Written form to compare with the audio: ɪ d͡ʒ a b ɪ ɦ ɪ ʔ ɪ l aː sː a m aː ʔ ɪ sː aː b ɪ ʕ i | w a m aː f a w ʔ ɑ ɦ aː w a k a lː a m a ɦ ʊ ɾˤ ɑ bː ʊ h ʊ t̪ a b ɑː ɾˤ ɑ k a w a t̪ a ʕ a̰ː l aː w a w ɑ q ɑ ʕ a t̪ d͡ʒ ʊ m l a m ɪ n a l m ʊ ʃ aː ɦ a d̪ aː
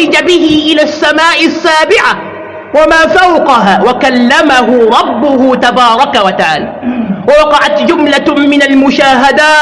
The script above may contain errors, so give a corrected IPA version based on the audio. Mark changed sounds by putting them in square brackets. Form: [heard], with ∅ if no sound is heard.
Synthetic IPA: ɪ d͡ʒ a b ɪ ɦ ɪ ʔ ɪ l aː sː a m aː ʔ ɪ sː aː b ɪ ʕ [a] | w a m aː f a w [q] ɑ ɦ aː w a k a lː a m a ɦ ʊ ɾˤ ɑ bː ʊ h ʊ t̪ a b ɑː ɾˤ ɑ k a w a t̪ a ʕ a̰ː l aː w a w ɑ q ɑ ʕ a t̪ d͡ʒ ʊ m l a m ɪ n a l m ʊ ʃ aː ɦ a d̪ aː